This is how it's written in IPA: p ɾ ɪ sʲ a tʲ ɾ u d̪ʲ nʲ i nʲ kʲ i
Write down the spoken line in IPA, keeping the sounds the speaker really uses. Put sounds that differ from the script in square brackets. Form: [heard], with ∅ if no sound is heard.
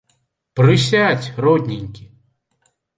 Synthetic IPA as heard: p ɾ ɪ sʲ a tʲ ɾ [ɔ] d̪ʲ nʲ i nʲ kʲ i